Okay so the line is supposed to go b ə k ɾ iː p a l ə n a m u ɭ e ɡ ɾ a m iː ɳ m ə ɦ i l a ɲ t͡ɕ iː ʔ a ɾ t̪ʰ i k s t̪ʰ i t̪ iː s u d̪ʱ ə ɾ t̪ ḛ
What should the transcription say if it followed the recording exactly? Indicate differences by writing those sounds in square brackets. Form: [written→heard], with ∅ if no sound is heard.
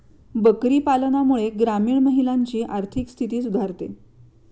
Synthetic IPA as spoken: b ə k ɾ iː p a l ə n a m u ɭ e ɡ ɾ a m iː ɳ m ə ɦ i l a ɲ t͡ɕ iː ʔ a ɾ t̪ʰ i k s t̪ʰ i t̪ iː s u d̪ʱ [ə→a] ɾ t̪ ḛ